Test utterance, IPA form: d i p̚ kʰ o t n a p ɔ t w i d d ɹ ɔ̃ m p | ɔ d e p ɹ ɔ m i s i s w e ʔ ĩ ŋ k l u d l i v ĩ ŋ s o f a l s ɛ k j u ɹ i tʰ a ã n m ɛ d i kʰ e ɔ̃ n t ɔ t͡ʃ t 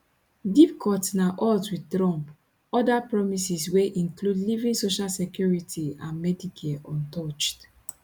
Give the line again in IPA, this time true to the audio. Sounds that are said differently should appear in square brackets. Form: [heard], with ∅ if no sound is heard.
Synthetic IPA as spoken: d i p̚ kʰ [ɔ] t n a [ʔ] ɔ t w i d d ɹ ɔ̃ m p | ɔ d [a] p ɹ ɔ m i s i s w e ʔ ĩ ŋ k l u d l i v ĩ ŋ s o [ʃ] a l s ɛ k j u ɹ i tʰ [i] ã n m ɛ d i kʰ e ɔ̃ n t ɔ t͡ʃ t